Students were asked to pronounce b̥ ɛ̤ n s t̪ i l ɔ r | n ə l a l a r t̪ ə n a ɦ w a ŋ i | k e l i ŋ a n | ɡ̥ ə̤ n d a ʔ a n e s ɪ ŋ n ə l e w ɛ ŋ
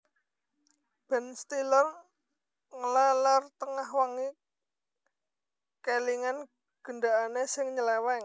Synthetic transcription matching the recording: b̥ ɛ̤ n s t̪ i l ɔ r | ŋ ə l a l a r t̪ ə ŋ a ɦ w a ŋ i | k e l i ŋ a n | ɡ̥ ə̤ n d a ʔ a n e s ɪ ŋ ɲ ə l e w ɛ ŋ